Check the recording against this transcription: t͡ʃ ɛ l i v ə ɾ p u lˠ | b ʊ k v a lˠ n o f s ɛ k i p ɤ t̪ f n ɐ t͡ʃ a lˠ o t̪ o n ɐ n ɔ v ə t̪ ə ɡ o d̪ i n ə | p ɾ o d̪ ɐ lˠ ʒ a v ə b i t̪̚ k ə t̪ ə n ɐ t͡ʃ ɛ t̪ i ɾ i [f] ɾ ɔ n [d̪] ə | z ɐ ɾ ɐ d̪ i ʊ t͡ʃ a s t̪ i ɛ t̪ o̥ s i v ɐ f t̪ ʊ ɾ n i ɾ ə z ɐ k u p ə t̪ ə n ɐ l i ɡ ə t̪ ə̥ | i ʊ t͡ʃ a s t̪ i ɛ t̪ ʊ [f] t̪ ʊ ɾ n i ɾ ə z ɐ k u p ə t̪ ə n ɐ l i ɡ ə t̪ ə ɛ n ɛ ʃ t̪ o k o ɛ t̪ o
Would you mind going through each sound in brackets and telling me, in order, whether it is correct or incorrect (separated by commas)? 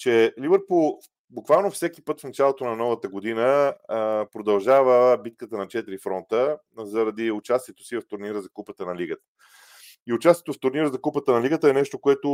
correct, incorrect, correct